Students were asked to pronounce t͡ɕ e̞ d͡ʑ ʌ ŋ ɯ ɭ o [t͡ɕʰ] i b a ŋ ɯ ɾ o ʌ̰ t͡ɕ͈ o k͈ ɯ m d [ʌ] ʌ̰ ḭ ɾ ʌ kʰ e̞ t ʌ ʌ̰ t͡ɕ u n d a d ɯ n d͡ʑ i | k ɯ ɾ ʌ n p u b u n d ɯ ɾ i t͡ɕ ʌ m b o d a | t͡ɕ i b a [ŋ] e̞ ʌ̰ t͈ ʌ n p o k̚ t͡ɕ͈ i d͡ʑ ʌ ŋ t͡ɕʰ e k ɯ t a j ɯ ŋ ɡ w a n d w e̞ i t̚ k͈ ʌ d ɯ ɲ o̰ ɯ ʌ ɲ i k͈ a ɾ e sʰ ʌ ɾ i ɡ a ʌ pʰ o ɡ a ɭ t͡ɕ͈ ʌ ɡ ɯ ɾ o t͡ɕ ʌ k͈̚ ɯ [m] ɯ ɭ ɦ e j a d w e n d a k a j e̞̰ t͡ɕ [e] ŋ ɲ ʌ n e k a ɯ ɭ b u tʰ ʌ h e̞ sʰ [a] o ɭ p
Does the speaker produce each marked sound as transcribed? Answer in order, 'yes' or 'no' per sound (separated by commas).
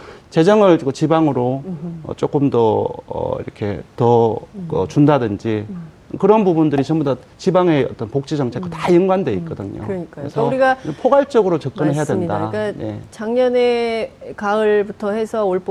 no, yes, yes, no, no, no